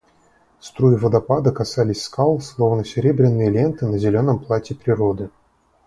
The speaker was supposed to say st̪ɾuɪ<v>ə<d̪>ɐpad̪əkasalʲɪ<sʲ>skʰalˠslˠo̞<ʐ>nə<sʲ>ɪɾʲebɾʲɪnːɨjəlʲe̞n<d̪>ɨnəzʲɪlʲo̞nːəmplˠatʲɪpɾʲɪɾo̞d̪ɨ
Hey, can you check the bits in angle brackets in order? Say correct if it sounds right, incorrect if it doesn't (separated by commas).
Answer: correct, correct, correct, incorrect, correct, incorrect